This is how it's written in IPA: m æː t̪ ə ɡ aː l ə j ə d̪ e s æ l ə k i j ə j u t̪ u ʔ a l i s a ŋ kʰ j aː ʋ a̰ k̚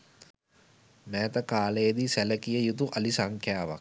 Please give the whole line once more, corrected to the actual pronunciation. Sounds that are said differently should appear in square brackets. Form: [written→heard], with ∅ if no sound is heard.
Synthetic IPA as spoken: m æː t̪ ə [ɡ→k] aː l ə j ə d̪ [e→i] s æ l ə k i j ə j u t̪ u ʔ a l i s a ŋ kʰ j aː ʋ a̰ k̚

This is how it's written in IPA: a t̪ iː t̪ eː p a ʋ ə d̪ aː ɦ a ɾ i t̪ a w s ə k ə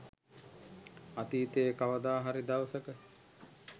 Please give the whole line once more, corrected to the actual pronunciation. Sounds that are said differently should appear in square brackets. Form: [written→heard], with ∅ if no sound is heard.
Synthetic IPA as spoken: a t̪ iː t̪ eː [p→k] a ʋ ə d̪ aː ɦ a ɾ i [t̪→d̪] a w s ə k ə

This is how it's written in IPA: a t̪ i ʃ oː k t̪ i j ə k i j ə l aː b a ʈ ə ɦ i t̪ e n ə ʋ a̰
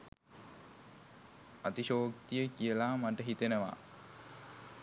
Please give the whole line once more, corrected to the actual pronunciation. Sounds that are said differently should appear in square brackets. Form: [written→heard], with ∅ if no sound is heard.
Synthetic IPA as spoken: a t̪ i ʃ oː k t̪ i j ə k i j ə l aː [b→m] a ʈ ə ɦ i t̪ e n ə ʋ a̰

